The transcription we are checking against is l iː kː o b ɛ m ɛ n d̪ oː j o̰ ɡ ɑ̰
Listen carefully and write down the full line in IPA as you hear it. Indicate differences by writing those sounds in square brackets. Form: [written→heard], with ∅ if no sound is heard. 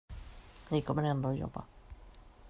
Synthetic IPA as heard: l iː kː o [b→m] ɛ [m→n] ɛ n d̪ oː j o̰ [ɡ→b] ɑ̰